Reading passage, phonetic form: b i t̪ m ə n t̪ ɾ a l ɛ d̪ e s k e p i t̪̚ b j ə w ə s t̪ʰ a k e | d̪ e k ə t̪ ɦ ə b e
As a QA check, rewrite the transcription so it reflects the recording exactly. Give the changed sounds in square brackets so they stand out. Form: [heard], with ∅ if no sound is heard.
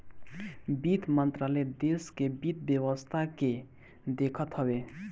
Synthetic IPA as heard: b i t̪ m ə n t̪ ɾ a l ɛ d̪ e s k e [b] i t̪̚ b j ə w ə s t̪ʰ a k e | d̪ e [kʰ] ə t̪ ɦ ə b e